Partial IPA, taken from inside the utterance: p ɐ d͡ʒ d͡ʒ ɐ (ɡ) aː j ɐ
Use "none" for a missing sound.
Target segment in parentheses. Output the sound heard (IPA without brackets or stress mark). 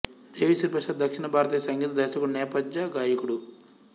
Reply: ɡ